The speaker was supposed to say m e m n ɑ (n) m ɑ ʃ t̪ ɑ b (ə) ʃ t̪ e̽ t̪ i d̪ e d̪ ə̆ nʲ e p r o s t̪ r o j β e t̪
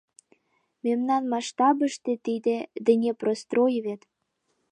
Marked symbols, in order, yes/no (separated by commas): yes, yes